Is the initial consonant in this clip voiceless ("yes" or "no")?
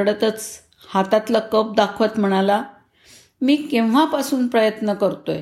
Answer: no